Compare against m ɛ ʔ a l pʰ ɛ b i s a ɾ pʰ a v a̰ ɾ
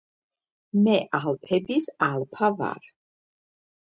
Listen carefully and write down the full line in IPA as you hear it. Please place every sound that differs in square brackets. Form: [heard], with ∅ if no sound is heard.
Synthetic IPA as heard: m ɛ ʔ a l pʰ ɛ b i s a [l] pʰ a v a̰ ɾ